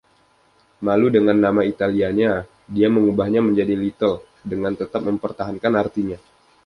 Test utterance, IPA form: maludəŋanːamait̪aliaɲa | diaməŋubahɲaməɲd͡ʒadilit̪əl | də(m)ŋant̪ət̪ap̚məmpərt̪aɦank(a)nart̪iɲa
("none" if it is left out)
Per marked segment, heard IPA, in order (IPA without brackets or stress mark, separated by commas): none, a